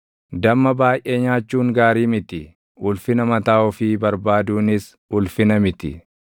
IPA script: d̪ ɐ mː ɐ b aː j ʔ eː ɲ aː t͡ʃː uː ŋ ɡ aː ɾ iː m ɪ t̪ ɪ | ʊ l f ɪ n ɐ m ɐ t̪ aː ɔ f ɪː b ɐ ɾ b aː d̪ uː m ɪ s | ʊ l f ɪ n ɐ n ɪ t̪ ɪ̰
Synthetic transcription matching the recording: d̪ ɐ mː ɐ b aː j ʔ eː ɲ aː t͡ʃː uː ŋ ɡ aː ɾ iː m ɪ t̪ ɪ | ʊ l f ɪ n ɐ m ɐ t̪ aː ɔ f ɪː b ɐ ɾ b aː d̪ uː n ɪ s | ʊ l f ɪ n ɐ m ɪ t̪ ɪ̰